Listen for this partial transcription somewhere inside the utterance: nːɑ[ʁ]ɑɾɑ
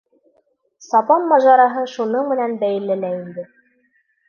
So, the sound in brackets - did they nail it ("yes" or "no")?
no